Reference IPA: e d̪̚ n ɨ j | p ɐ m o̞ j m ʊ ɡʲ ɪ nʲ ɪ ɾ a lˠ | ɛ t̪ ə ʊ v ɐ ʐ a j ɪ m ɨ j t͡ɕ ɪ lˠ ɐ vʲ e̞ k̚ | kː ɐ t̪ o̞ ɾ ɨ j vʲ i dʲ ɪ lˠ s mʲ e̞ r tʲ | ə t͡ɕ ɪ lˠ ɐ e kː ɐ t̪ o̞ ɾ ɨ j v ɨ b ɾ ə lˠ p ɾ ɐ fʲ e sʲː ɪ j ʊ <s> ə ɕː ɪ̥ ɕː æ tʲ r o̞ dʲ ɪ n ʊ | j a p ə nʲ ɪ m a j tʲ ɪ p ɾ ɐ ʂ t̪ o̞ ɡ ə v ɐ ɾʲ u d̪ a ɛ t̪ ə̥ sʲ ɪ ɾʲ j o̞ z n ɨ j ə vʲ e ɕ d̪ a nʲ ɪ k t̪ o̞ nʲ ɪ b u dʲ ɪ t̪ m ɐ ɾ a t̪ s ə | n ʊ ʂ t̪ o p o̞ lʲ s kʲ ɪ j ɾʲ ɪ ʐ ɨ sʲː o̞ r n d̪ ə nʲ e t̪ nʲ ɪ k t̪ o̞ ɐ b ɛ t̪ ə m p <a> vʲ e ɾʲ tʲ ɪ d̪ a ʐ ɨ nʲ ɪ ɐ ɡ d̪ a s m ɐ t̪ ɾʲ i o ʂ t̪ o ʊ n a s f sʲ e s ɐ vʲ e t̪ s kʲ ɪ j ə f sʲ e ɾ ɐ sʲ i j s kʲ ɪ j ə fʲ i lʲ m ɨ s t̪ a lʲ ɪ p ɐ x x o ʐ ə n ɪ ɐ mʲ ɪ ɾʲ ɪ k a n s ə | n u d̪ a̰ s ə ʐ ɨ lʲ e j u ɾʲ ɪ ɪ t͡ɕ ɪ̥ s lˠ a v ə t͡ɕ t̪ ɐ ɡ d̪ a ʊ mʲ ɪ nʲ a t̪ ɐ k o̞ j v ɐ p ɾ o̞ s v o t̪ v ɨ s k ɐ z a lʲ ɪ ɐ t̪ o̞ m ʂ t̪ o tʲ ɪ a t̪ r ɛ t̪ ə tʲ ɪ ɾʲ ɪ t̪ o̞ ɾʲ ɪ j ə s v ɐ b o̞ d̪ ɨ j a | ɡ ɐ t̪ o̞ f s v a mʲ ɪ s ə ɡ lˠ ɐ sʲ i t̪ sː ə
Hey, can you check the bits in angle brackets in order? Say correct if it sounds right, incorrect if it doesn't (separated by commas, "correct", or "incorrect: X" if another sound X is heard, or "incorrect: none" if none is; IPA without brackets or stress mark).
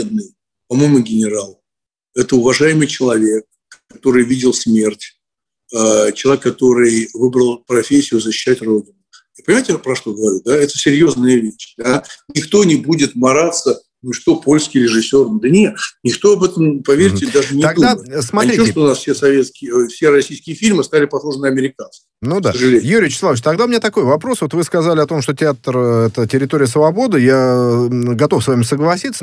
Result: incorrect: z, incorrect: ɐ